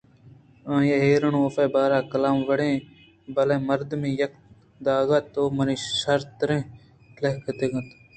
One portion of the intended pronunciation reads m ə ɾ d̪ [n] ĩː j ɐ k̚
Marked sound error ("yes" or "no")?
yes